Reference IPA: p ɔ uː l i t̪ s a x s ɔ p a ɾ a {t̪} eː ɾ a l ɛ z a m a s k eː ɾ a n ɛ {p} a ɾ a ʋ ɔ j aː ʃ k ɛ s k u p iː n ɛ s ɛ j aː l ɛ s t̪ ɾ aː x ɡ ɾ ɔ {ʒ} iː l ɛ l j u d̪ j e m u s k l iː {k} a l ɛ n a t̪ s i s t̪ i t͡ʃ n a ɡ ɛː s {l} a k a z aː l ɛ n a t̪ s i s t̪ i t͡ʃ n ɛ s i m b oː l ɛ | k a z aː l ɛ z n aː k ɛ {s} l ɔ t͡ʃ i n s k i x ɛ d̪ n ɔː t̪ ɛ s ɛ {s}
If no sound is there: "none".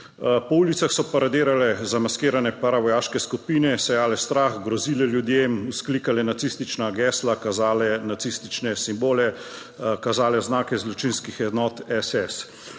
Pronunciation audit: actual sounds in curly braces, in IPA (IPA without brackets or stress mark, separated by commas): d̪, p, z, k, l, z, s